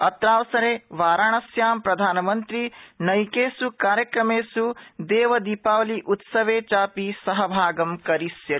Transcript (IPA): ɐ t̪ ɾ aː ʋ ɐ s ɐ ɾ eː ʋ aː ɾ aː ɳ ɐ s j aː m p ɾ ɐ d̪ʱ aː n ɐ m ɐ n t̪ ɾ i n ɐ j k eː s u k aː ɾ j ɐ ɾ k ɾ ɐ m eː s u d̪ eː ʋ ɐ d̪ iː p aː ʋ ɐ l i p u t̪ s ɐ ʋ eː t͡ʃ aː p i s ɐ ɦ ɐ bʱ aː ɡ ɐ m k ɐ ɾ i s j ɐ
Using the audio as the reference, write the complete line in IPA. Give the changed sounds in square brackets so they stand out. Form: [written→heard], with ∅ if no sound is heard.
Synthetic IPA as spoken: ɐ t̪ ɾ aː ʋ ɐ s ɐ ɾ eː ʋ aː ɾ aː ɳ ɐ s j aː m p ɾ ɐ d̪ʱ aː n ɐ m ɐ n t̪ ɾ i n ɐ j k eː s u k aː ɾ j ɐ [ɾ→∅] k ɾ ɐ m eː s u d̪ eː ʋ ɐ d̪ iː p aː ʋ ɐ l i [p→ʔ] u t̪ s ɐ ʋ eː t͡ʃ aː p i s ɐ ɦ ɐ bʱ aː ɡ ɐ m k ɐ ɾ i s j ɐ